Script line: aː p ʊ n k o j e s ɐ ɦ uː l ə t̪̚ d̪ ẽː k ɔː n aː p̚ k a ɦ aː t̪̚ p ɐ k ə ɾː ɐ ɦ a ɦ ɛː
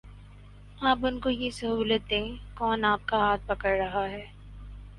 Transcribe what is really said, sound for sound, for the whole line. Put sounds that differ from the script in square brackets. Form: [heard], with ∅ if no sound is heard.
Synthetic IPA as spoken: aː p ʊ n k o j e s ɐ ɦ uː l ə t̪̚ d̪ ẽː k ɔː n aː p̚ k a ɦ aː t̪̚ p ɐ k ə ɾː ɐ ɦ a ɦ ɛː